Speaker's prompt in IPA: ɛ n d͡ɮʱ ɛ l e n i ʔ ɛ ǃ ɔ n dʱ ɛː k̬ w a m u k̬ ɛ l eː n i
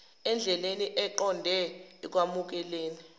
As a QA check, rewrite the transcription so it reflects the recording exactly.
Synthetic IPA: ɛ n d͡ɮʱ ɛ l e n i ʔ ɛ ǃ ɔ n dʱ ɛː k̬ w a m u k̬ ɛ l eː n i